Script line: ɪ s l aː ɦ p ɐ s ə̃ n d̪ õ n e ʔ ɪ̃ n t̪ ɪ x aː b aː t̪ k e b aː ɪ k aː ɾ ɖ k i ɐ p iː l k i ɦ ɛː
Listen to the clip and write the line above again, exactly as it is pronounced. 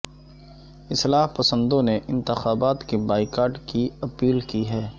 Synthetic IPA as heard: ɪ s l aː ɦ p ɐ s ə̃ n d̪ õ n e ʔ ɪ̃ n t̪ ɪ x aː b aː t̪ k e b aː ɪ k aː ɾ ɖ k i ɐ p iː l k i ɦ ɛː